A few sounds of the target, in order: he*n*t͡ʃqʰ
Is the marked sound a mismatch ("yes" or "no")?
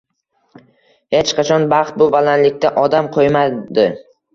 yes